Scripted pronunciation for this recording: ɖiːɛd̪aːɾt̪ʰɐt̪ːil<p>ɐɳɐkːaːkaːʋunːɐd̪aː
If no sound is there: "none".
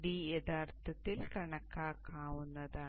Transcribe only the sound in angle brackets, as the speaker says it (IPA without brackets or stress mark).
k